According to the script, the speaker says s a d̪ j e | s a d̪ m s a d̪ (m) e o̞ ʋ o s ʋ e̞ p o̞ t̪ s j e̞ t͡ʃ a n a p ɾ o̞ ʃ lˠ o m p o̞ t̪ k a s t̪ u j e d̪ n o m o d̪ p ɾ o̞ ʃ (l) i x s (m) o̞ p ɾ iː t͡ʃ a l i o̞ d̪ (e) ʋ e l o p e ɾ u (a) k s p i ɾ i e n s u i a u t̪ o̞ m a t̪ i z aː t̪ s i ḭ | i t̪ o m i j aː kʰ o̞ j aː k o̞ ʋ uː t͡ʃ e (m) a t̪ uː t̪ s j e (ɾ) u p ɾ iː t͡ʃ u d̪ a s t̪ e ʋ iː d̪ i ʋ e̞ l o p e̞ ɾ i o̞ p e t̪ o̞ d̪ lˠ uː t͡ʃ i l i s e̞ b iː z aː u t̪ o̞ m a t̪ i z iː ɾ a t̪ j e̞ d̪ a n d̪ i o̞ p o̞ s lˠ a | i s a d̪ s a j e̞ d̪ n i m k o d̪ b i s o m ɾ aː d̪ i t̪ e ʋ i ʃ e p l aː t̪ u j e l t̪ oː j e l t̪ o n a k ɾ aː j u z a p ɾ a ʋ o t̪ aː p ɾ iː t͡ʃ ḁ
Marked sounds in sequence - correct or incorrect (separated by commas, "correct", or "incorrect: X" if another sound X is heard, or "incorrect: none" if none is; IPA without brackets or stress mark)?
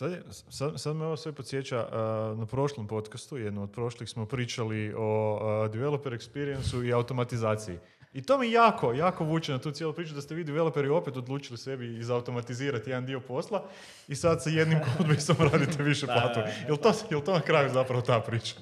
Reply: correct, correct, correct, incorrect: i, incorrect: e, incorrect: n, incorrect: l